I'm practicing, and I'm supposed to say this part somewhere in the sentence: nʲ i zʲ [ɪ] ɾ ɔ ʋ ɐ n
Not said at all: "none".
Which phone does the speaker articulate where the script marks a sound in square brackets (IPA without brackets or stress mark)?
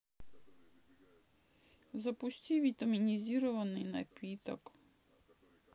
i